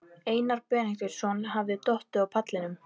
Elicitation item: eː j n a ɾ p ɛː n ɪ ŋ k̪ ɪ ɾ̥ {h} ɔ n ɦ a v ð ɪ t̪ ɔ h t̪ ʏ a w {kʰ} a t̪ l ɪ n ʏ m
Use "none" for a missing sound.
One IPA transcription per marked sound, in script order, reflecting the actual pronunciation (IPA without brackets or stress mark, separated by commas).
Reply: s, pʰ